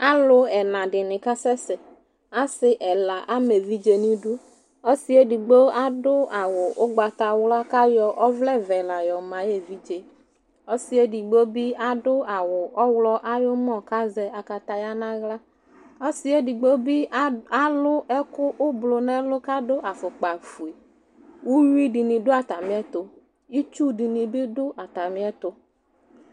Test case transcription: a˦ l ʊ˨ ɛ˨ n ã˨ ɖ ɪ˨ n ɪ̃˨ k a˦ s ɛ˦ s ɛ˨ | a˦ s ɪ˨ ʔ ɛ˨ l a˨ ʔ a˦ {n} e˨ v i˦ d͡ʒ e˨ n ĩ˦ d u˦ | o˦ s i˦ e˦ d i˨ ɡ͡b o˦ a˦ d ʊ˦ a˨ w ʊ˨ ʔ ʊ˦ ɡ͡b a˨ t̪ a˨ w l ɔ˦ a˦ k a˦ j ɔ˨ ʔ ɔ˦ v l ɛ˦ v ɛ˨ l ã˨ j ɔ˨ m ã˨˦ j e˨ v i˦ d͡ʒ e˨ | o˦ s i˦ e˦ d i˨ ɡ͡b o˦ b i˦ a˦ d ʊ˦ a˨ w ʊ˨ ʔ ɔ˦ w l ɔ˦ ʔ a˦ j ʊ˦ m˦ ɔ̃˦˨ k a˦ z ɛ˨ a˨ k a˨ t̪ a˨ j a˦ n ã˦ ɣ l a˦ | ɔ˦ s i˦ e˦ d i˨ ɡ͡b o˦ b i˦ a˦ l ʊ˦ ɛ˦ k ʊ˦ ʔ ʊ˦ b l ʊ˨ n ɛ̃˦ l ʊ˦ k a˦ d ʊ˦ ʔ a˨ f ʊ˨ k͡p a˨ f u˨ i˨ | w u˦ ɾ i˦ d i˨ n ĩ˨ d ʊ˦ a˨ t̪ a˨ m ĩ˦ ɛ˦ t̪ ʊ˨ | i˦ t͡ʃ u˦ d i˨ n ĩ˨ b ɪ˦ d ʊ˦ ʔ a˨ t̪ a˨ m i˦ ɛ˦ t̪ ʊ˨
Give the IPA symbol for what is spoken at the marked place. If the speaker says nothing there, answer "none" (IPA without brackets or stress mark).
m